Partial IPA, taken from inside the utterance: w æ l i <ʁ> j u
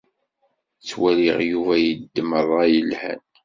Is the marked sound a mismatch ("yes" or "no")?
no